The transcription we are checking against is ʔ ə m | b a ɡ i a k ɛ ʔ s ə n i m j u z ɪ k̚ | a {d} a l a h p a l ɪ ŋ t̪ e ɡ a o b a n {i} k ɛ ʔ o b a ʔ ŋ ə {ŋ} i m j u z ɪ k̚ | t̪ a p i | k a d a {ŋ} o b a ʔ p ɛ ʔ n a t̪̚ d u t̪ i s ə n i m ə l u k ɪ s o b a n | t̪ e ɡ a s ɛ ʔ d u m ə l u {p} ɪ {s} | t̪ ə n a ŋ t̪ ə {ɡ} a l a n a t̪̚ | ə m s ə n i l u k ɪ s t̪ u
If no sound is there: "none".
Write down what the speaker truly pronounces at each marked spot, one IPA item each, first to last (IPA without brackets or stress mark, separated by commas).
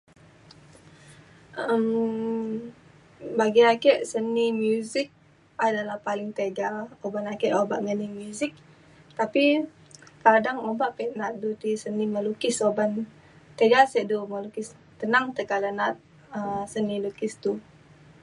d, a, n, ŋ, k, s, k